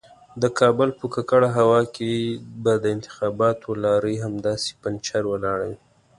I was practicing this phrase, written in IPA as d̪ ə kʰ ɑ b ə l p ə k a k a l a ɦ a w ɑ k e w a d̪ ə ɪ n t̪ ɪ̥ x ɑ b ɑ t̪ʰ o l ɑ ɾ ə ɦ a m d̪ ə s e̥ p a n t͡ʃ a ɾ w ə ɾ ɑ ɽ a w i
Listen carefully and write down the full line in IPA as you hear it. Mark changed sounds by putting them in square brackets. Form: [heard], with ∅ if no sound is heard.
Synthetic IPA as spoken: d̪ ə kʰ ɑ b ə l p ə k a k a [ɽ] a ɦ a w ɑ k e [b] a d̪ ə ɪ n t̪ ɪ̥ x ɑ b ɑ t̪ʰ o l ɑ ɾ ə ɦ a m d̪ [ɑ] s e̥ p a n t͡ʃ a ɾ w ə [l] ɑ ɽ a w i